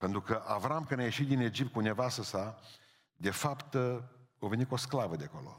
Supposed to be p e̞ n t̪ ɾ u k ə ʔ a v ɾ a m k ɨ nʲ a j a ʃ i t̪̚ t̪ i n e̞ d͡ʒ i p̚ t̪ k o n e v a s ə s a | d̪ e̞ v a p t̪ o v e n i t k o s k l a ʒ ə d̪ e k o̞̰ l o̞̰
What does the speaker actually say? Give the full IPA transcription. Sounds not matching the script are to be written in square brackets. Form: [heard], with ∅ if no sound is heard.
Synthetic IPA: p e̞ n t̪ ɾ u k ə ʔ a v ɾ a m k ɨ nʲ a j [e] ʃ i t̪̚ [d̪] i n e̞ d͡ʒ i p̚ t̪ k [u] n e v a s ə s a | d̪ e̞ [f] a p t̪ o v e n i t k o s k l a [v] ə d̪ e k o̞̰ l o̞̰